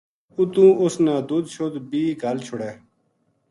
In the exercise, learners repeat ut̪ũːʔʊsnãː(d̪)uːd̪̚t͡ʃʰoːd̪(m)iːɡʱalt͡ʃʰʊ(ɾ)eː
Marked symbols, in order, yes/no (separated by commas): yes, no, no